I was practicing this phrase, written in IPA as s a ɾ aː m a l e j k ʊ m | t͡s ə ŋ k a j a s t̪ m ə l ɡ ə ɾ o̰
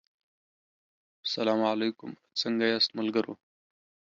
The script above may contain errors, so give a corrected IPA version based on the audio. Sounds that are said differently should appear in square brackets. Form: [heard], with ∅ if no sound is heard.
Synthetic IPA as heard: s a [l] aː m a l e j k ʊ m | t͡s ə ŋ [ɡ] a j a s t̪ m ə l ɡ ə ɾ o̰